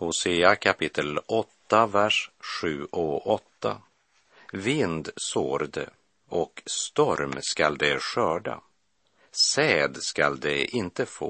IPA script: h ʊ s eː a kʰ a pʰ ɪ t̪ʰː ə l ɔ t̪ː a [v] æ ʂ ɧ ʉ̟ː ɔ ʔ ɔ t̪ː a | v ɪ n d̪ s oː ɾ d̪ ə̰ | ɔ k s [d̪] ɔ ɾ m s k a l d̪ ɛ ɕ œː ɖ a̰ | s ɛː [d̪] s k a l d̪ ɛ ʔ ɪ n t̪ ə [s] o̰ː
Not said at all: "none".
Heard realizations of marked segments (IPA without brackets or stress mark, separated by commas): v, t̪, d̪, f